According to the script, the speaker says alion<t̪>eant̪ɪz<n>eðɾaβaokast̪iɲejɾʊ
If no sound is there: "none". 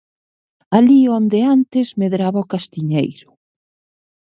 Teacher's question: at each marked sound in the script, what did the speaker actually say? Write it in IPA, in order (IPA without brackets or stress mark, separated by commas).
d̪, m